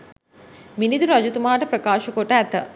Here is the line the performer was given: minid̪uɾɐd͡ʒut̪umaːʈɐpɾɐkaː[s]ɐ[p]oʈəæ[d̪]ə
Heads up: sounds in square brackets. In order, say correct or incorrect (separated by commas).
incorrect, incorrect, incorrect